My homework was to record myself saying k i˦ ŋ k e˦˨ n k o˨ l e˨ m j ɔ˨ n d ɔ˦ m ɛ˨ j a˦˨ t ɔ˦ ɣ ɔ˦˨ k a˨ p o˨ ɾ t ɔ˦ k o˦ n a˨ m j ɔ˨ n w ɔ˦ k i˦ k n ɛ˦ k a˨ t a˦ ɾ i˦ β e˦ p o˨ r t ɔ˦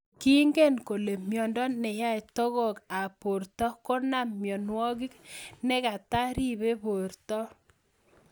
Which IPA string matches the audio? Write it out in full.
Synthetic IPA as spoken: k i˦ ŋ ɡ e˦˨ n k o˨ l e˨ m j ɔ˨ n d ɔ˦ n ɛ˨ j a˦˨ t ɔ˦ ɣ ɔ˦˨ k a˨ p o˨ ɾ t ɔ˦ k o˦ n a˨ m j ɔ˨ n w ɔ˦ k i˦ k n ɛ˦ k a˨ t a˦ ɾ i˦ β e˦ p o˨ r t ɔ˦